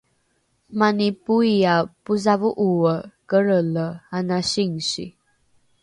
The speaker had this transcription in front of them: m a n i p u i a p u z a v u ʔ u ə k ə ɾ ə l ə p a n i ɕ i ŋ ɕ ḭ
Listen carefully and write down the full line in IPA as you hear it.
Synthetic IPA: m a n i p u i a p u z a v u ʔ u ə k ə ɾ ə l ə a n a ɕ i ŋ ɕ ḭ